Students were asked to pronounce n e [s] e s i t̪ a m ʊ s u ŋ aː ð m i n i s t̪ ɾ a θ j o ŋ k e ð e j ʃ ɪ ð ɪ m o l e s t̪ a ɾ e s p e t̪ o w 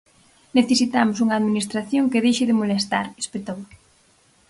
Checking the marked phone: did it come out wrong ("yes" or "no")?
yes